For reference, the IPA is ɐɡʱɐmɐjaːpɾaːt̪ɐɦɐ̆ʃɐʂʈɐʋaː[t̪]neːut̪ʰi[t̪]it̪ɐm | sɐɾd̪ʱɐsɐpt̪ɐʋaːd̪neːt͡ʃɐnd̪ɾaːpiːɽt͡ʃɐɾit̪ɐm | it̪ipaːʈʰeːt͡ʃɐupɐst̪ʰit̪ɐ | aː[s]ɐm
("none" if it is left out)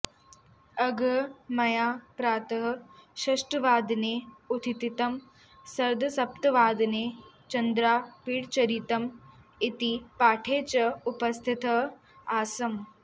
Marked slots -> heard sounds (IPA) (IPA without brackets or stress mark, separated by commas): d̪, t̪, s